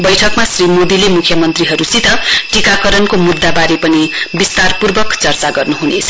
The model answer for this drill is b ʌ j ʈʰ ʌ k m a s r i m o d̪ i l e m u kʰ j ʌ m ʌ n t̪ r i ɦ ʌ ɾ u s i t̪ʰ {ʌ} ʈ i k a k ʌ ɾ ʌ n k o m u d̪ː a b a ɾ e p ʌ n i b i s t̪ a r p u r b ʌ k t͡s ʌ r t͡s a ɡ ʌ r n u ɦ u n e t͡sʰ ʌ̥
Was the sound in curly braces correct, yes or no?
yes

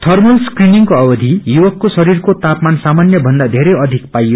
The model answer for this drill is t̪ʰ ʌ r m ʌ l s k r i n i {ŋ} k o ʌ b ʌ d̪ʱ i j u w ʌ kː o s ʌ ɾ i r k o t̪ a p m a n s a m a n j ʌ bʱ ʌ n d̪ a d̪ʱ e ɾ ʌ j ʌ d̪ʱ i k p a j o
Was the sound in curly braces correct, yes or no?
yes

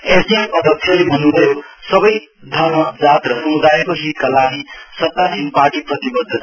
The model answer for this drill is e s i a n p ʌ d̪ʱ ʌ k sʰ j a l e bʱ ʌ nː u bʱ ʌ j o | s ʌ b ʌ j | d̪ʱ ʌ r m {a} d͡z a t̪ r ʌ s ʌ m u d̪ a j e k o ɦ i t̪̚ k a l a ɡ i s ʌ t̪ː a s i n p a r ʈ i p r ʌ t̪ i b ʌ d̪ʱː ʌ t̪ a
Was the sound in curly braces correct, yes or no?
no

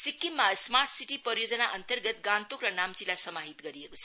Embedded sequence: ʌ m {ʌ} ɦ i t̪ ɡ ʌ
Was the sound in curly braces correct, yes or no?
no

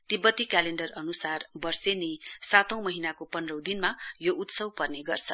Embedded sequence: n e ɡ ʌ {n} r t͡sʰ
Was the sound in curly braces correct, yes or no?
no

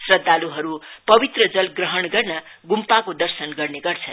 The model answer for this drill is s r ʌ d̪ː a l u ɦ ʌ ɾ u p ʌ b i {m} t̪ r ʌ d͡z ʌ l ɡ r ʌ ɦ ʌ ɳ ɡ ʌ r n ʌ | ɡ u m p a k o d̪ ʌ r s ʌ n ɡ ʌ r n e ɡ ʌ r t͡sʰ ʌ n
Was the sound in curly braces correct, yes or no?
no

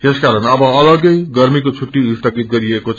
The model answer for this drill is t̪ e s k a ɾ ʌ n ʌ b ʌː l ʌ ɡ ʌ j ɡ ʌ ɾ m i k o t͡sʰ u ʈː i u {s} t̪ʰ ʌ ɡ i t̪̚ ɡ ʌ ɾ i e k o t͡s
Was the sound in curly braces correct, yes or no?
yes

